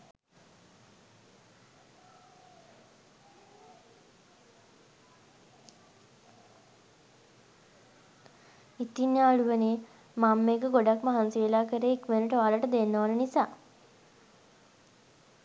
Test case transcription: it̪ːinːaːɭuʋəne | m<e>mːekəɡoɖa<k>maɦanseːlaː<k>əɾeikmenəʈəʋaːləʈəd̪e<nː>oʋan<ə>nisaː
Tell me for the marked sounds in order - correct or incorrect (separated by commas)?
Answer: incorrect, correct, correct, correct, correct